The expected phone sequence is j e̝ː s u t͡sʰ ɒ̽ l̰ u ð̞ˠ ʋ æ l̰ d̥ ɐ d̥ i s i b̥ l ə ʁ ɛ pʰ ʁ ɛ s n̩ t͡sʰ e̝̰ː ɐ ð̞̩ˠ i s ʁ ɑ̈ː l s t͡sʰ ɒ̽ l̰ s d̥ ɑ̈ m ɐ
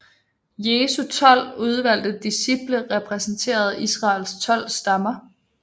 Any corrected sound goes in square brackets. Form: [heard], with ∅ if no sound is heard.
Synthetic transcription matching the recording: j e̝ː s u t͡sʰ ɒ̽ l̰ u ð̞ˠ ʋ æ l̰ d̥ [ə] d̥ i s i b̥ l ə ʁ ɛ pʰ ʁ ɛ s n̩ t͡sʰ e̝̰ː ɐ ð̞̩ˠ i s ʁ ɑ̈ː l s t͡sʰ ɒ̽ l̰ s d̥ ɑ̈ m ɐ